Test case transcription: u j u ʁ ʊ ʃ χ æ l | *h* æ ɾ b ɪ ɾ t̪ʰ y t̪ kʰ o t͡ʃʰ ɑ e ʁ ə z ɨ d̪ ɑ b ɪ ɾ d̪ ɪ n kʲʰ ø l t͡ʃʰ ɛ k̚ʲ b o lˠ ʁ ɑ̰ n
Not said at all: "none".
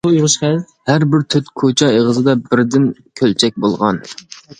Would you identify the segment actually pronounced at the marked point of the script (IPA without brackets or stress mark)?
h